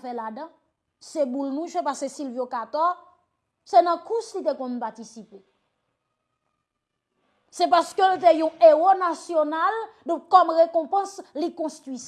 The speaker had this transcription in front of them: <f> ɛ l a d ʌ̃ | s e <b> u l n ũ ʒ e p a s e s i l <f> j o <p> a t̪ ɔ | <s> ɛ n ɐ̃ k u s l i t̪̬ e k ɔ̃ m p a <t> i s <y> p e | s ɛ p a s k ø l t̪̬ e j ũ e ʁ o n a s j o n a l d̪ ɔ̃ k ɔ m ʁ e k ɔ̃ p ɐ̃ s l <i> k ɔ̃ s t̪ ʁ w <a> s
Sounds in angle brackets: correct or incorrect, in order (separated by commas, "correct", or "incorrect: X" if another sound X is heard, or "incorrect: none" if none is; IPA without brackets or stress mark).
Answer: correct, correct, incorrect: v, incorrect: k, correct, correct, incorrect: i, correct, incorrect: i